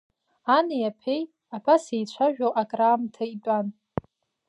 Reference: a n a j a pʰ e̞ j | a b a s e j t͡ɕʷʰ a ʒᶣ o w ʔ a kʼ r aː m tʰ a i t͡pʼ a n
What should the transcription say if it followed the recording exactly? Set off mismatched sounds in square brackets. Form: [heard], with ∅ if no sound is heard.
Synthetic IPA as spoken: a n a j a pʰ e̞ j | a b a s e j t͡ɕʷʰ a ʒᶣ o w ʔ a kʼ r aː m tʰ a i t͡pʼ a n